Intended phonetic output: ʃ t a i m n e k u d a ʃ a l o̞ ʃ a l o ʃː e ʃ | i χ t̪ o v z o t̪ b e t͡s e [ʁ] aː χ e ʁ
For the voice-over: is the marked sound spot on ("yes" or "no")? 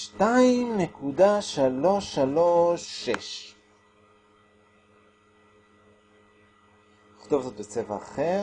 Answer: no